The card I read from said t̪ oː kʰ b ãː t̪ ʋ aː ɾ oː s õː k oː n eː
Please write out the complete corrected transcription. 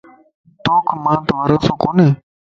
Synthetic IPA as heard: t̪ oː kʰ m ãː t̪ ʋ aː ɾ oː s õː k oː n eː